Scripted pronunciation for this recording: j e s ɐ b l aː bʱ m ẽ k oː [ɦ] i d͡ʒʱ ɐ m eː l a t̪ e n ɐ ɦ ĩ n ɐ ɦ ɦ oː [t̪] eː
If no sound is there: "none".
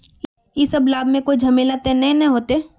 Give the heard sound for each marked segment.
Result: none, t̪

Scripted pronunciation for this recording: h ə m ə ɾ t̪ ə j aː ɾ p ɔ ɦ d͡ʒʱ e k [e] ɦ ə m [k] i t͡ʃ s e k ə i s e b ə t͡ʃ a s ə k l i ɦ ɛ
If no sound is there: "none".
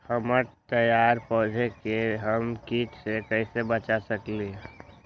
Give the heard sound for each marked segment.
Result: e, k

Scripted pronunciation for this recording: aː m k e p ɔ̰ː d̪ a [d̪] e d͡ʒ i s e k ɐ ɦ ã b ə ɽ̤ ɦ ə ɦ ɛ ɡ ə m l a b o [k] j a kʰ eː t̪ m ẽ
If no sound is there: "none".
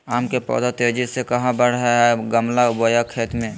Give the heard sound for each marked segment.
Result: t̪, none

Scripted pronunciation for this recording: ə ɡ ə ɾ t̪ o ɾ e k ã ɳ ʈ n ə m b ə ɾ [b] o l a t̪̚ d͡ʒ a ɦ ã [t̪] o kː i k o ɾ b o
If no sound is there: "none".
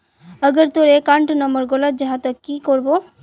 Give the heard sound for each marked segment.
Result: ɡ, t̪

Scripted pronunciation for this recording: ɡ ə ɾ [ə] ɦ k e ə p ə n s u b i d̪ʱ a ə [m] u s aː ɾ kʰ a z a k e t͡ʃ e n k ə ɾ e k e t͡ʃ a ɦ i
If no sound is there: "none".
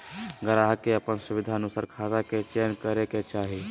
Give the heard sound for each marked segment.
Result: a, n

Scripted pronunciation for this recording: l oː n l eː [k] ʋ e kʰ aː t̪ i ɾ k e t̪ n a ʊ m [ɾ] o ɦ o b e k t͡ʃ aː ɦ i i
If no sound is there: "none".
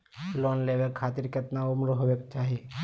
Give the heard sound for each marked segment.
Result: none, ɾ

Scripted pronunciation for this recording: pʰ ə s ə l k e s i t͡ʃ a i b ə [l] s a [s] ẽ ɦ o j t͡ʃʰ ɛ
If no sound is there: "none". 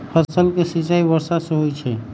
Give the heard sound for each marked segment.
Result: ɾ, s

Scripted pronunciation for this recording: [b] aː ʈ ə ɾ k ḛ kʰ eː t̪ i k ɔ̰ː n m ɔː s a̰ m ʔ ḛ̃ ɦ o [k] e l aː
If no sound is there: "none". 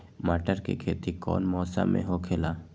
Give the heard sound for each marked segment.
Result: m, kʰ

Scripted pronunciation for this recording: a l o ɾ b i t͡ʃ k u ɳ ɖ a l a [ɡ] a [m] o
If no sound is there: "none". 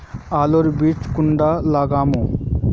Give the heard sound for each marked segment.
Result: ɡ, m

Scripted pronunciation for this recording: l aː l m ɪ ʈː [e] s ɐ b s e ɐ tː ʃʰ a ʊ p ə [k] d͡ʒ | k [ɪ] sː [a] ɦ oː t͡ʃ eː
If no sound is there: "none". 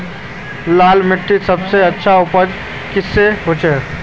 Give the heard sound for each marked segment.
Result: i, none, ɪ, e

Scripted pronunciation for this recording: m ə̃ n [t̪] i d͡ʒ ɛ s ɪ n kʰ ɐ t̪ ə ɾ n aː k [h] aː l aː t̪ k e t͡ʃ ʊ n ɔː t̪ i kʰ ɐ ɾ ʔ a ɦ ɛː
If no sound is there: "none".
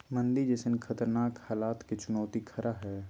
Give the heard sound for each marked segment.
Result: d̪, h

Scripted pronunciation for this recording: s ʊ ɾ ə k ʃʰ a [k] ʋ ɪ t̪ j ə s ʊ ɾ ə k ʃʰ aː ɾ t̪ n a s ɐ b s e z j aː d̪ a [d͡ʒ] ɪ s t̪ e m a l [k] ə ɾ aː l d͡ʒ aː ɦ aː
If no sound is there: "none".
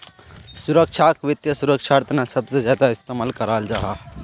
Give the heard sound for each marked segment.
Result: k, none, k

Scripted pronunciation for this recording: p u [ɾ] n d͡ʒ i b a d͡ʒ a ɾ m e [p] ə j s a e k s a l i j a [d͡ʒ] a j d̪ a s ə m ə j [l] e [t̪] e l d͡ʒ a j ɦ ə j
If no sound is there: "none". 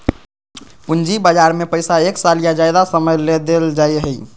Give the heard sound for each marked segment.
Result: none, p, d͡ʒ, l, d̪

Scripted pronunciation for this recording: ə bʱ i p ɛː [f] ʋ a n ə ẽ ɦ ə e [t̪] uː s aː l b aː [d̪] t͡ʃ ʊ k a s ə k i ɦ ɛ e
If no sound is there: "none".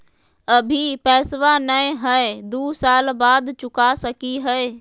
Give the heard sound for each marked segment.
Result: s, d̪, d̪

